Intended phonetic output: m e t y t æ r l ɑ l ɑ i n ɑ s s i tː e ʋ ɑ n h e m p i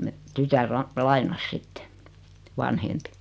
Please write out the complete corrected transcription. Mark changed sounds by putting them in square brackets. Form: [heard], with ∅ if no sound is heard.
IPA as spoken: m e t y t æ r l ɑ l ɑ i n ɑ s s i tː e ʋ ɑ n h e m p i